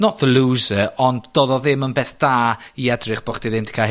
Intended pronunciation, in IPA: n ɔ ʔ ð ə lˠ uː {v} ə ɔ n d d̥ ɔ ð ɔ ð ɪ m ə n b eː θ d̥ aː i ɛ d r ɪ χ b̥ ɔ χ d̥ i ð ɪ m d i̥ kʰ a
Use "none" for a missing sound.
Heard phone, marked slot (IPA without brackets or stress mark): z